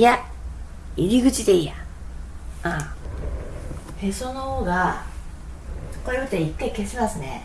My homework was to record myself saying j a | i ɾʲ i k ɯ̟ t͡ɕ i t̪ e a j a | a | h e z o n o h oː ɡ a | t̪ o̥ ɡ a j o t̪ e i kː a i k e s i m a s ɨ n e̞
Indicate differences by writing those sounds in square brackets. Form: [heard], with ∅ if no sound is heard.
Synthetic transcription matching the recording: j a | i ɾʲ i [ɡ] ɯ̟ t͡ɕ i [d̪] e [i] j a | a | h e [s] o n o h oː ɡ a | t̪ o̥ [k] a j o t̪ e i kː a i k e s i m a s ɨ n e̞